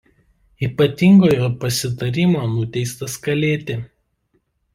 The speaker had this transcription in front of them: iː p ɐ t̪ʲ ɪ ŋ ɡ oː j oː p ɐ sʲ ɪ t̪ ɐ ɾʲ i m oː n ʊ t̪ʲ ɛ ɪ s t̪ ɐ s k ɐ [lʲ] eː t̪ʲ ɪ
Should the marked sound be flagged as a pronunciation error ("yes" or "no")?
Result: no